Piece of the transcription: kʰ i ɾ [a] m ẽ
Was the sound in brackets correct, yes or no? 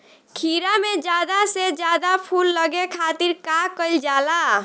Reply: yes